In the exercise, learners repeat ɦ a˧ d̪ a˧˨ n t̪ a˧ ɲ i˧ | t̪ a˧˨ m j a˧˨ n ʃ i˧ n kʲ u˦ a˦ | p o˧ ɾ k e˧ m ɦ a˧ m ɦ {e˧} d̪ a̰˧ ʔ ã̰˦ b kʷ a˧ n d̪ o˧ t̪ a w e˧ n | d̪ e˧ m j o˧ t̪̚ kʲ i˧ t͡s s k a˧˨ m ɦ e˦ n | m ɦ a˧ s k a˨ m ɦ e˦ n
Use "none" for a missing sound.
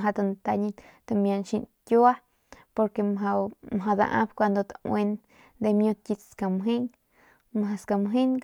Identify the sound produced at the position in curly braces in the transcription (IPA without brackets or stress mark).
a˧